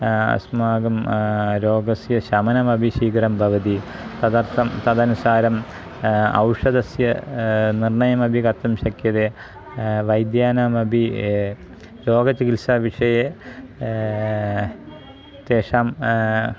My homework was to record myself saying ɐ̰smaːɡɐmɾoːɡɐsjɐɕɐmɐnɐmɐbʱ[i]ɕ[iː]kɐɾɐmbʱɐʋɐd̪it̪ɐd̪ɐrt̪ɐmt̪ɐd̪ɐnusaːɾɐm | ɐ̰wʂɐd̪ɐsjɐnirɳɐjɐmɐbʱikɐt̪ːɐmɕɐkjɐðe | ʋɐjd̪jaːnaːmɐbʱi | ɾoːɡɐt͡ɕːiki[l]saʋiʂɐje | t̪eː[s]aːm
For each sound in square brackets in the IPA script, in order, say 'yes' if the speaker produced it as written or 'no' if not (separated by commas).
yes, yes, yes, no